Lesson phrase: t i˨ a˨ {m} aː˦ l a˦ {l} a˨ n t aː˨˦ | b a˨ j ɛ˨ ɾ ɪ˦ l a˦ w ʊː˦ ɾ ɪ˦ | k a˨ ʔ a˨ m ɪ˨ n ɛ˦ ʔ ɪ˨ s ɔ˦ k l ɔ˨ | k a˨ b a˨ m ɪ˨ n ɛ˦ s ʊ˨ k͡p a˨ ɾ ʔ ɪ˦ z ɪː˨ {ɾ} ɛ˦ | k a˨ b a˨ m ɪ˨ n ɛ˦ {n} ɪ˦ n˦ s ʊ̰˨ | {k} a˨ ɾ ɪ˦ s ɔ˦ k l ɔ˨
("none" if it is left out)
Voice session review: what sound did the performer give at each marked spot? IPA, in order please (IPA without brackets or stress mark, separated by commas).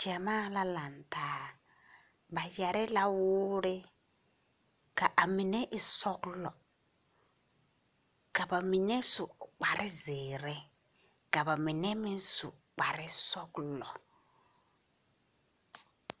m, l, ɾ, m, k͡p